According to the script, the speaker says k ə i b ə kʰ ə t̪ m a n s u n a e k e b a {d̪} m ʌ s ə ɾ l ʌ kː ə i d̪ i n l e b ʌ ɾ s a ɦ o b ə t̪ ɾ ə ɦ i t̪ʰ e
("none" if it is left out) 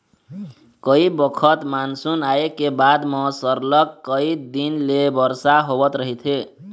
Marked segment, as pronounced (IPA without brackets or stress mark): d̪